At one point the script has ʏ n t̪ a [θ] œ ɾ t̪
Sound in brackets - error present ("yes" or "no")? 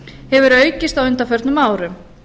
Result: yes